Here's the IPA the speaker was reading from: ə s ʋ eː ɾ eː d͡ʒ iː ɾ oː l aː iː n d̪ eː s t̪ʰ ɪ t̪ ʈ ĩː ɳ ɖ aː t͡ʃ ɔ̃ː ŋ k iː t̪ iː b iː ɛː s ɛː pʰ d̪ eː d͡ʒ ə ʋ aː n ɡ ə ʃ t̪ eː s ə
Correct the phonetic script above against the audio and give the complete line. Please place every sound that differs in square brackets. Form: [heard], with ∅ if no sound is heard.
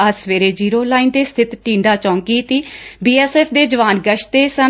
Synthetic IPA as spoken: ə s ʋ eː ɾ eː d͡ʒ iː ɾ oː l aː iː n d̪ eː s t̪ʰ ɪ t̪ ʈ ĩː ɳ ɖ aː t͡ʃ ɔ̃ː ŋ k iː t̪ iː b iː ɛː s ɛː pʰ d̪ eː d͡ʒ ə ʋ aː n ɡ ə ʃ t̪ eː s ə